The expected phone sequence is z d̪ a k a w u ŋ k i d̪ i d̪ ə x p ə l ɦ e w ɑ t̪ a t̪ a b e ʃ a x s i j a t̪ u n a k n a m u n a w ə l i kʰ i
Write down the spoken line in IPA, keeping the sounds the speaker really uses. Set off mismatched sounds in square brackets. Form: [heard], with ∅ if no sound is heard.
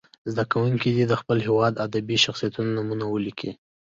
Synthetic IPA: z d̪ a k a w u ŋ k i d̪ i d̪ ə x p ə l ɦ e w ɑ [d̪] a [d̪] a b [i] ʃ a x s i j a t̪ u n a [∅] n a m u n a w ə l i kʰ i